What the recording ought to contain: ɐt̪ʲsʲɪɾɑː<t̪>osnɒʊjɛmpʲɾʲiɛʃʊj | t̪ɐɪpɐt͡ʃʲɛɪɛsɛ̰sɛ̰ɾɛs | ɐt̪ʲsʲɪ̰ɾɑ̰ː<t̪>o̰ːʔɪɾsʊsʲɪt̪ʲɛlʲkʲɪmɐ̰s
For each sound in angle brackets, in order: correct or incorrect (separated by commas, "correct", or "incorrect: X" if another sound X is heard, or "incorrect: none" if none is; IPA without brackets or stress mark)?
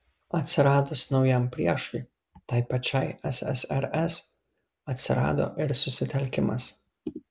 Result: incorrect: d̪, incorrect: d̪